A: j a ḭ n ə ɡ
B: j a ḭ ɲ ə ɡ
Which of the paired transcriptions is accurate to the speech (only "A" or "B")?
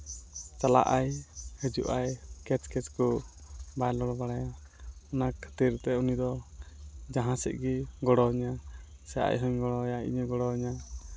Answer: B